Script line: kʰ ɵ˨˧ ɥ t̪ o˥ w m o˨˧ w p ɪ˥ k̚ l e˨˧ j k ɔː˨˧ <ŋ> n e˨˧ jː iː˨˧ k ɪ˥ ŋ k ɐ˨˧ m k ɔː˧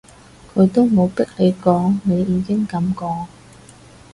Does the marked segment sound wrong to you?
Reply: no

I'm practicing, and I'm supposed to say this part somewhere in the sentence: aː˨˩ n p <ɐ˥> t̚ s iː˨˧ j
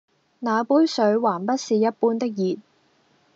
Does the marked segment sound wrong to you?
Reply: no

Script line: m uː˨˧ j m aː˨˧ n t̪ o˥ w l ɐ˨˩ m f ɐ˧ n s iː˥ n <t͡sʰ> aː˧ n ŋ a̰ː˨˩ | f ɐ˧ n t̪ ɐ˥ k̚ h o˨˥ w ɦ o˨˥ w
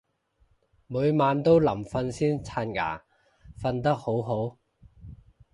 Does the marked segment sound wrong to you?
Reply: no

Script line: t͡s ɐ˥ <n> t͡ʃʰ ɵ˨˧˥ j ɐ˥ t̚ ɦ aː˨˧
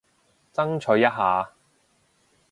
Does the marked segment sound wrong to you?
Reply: yes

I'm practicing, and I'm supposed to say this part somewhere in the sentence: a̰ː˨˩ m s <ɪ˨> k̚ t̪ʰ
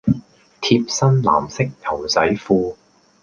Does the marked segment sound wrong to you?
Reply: yes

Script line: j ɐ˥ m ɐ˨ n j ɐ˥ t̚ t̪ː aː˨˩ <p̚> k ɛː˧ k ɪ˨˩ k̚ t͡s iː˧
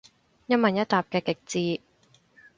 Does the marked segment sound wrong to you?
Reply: no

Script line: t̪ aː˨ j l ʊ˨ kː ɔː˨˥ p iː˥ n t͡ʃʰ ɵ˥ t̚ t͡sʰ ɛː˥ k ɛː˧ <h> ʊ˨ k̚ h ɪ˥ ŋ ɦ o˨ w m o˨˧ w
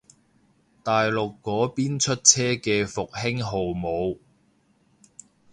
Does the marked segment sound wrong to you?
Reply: yes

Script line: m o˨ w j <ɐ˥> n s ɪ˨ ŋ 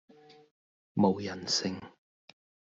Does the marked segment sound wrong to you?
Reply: yes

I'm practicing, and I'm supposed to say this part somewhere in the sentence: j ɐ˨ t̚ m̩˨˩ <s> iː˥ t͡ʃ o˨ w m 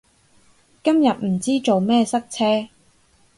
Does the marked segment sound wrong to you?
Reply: yes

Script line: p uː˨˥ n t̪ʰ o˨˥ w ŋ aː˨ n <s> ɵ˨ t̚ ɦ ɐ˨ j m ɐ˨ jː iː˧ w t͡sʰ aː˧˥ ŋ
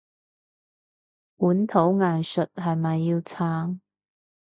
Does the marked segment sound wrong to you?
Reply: no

